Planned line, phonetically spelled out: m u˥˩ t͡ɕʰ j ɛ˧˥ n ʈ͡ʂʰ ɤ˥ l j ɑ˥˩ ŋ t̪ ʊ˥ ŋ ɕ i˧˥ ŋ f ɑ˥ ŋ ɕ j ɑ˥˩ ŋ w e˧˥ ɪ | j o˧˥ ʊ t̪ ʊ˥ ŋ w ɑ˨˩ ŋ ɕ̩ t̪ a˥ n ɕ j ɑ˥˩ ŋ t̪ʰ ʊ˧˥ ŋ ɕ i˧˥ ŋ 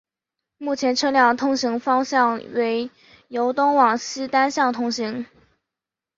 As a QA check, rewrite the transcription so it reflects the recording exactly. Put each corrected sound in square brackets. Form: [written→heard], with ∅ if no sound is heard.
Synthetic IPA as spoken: m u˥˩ t͡ɕʰ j ɛ˧˥ n ʈ͡ʂʰ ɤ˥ l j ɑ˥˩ ŋ [t̪→t̪ʰ] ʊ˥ ŋ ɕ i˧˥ ŋ f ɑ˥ ŋ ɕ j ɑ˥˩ ŋ w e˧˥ ɪ | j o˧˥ ʊ t̪ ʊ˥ ŋ w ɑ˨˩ ŋ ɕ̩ t̪ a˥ n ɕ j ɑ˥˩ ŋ t̪ʰ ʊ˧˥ ŋ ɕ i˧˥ ŋ

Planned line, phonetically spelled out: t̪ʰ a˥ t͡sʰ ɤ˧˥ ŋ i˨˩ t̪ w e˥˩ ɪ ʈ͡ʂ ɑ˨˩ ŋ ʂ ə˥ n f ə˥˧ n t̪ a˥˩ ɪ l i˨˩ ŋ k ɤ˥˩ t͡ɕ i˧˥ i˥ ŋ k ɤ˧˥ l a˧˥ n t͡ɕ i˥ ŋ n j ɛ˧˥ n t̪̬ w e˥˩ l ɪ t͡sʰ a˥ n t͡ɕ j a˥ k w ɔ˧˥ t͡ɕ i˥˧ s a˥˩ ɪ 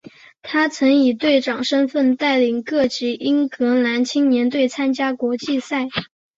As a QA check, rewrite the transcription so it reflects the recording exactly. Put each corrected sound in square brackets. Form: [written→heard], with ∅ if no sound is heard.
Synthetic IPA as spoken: t̪ʰ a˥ t͡sʰ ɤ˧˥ ŋ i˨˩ t̪ w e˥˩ ɪ ʈ͡ʂ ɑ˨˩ ŋ ʂ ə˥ n f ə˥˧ n t̪ a˥˩ ɪ l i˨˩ ŋ k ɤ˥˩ t͡ɕ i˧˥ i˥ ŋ k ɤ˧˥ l a˧˥ n [t͡ɕ→t͡ɕʰ] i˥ ŋ n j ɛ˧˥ n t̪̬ w e˥˩ [l→∅] ɪ t͡sʰ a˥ n t͡ɕ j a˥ k w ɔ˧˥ t͡ɕ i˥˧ s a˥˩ ɪ

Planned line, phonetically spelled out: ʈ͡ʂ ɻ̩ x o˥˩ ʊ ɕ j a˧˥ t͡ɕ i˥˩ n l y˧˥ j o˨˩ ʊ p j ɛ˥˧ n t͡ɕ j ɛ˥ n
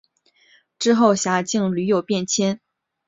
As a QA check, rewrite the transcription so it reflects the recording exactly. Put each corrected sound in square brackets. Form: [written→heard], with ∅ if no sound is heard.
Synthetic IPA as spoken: ʈ͡ʂ ɻ̩ x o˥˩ ʊ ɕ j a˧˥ t͡ɕ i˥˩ [n→ŋ] l y˧˥ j o˨˩ ʊ p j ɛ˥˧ n [t͡ɕ→t͡ɕʰ] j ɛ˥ n

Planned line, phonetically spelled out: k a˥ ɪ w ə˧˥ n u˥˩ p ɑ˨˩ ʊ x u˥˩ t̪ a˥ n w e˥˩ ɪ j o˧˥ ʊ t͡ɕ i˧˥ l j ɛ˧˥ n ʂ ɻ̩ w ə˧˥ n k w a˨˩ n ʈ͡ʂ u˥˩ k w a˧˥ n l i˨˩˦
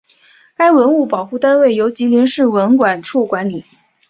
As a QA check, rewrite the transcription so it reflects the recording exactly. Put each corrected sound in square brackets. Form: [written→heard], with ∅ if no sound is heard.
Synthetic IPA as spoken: k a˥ ɪ w ə˧˥ n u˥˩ p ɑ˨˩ ʊ x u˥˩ t̪ a˥ n w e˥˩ ɪ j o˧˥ ʊ t͡ɕ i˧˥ l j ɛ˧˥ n ʂ ɻ̩ w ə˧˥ n k w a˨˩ n [ʈ͡ʂ→ʈ͡ʂʰ] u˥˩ k w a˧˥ n l i˨˩˦

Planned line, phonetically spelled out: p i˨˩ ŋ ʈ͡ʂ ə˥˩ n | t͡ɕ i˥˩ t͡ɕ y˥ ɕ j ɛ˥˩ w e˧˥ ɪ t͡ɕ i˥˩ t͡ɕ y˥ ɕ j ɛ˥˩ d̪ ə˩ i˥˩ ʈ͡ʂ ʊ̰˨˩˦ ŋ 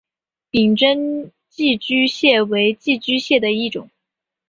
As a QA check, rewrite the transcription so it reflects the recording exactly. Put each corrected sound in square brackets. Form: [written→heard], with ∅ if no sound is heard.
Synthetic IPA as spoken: p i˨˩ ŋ ʈ͡ʂ [ə˥˩→ə˥] n | t͡ɕ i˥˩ t͡ɕ y˥ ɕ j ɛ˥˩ w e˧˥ ɪ t͡ɕ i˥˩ t͡ɕ y˥ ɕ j ɛ˥˩ d̪ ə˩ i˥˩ ʈ͡ʂ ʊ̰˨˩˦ ŋ

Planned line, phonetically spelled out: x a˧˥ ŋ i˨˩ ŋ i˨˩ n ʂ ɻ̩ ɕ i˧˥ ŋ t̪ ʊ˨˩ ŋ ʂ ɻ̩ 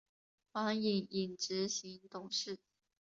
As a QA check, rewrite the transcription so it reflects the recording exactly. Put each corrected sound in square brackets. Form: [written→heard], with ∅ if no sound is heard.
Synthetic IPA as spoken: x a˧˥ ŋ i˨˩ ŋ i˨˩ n [ʂ→ʈ͡ʂ] ɻ̩ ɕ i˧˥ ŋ t̪ ʊ˨˩ ŋ ʂ ɻ̩

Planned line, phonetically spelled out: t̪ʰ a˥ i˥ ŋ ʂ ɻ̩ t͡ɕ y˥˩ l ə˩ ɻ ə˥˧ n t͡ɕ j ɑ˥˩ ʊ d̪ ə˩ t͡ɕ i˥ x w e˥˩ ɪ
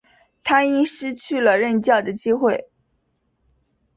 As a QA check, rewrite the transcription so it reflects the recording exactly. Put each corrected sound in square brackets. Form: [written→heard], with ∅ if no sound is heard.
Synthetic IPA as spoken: t̪ʰ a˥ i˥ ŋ ʂ ɻ̩ [t͡ɕ→t͡ɕʰ] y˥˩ l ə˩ ɻ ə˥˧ n t͡ɕ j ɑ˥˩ ʊ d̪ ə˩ t͡ɕ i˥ x w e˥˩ ɪ

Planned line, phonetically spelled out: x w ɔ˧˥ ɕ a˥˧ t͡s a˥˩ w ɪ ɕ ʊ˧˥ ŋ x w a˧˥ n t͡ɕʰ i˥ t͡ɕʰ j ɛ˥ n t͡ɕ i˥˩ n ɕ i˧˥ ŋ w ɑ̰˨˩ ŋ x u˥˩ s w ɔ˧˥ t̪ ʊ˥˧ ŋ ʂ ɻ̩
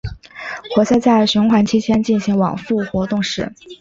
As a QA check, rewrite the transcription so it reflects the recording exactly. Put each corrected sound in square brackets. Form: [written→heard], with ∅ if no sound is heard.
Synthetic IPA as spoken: x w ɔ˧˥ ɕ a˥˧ t͡s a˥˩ [w→∅] ɪ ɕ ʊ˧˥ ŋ x w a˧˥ n t͡ɕʰ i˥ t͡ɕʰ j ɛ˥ n t͡ɕ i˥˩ n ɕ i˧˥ ŋ w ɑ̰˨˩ ŋ [x→f] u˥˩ [s→x] w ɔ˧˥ t̪ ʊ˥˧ ŋ ʂ ɻ̩

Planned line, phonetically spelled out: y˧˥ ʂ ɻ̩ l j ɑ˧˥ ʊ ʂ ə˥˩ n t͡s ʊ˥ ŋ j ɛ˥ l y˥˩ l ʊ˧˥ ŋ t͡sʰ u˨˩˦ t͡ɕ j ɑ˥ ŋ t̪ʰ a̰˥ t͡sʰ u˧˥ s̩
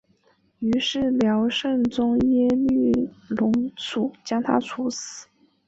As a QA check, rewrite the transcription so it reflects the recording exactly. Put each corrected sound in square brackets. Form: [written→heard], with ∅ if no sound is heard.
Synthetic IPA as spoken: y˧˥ ʂ ɻ̩ l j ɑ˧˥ ʊ ʂ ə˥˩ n t͡s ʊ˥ ŋ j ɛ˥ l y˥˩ l ʊ˧˥ ŋ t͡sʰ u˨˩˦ t͡ɕ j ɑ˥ ŋ t̪ʰ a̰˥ t͡sʰ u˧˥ s̩

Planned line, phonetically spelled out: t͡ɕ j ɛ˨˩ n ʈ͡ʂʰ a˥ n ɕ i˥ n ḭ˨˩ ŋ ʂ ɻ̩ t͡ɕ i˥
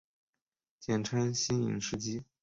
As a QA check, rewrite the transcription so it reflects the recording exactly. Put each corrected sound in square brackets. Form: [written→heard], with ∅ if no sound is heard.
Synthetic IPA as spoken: t͡ɕ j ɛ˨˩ n ʈ͡ʂʰ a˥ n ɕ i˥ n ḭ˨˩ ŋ ʂ ɻ̩ t͡ɕ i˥

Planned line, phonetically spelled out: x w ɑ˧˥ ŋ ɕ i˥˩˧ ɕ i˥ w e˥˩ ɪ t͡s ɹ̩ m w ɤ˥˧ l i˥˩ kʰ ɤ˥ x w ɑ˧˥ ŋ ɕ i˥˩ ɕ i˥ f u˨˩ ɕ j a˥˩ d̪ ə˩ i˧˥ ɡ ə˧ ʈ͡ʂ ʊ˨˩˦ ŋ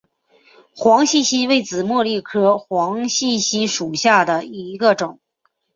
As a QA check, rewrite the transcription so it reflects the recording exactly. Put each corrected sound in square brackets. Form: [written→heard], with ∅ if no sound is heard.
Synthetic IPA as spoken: x w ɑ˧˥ ŋ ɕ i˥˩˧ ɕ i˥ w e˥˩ ɪ t͡s ɹ̩ m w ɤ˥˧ l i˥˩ kʰ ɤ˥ x w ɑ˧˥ ŋ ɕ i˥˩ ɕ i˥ [f→ʂ] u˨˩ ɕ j a˥˩ d̪ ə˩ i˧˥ ɡ ə˧ ʈ͡ʂ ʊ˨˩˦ ŋ

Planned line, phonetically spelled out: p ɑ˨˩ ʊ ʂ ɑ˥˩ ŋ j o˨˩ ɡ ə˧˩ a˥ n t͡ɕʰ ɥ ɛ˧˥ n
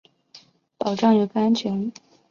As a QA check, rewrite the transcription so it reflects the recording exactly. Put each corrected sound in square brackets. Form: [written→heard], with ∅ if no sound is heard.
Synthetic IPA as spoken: p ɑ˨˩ ʊ [ʂ→ʈ͡ʂ] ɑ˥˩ ŋ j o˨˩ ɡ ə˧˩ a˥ n t͡ɕʰ ɥ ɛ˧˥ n

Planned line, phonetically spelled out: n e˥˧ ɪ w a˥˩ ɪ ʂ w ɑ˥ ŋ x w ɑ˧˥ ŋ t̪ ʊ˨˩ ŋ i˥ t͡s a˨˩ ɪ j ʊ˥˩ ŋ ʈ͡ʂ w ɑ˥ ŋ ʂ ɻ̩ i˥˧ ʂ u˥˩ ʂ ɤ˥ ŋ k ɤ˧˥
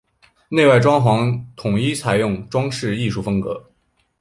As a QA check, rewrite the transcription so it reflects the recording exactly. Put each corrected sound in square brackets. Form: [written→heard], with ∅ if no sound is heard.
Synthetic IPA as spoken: n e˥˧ ɪ w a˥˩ ɪ [ʂ→ʈ͡ʂ] w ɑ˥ ŋ x w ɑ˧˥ ŋ [t̪→t̪ʰ] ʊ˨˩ ŋ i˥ [t͡s→t͡sʰ] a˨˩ ɪ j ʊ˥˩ ŋ ʈ͡ʂ w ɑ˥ ŋ ʂ ɻ̩ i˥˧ ʂ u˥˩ [ʂ→f] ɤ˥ ŋ k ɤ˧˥

